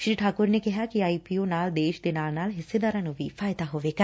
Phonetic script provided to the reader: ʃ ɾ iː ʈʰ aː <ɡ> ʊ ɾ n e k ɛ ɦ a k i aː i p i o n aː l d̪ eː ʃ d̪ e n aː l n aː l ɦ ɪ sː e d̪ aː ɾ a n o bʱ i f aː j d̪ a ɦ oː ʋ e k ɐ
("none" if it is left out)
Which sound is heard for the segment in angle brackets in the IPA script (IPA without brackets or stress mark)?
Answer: k